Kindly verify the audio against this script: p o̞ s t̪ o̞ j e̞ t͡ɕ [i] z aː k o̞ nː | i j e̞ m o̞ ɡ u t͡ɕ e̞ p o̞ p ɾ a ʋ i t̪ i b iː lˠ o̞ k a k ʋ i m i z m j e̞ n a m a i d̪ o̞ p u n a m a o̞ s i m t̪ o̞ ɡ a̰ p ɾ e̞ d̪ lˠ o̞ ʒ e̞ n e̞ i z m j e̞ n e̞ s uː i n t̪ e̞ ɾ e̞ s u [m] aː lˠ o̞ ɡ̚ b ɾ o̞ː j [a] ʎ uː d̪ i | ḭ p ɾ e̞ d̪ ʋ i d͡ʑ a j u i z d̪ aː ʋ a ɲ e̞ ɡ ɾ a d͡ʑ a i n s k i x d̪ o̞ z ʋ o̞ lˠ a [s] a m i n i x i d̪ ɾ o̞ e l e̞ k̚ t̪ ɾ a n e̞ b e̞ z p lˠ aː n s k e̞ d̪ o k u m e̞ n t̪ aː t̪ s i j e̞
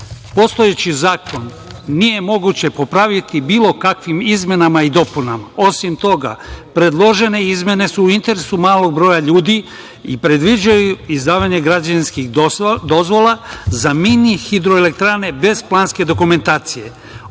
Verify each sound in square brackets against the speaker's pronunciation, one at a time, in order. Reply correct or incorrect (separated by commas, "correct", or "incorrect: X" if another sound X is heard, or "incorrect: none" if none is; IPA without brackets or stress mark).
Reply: correct, correct, correct, incorrect: z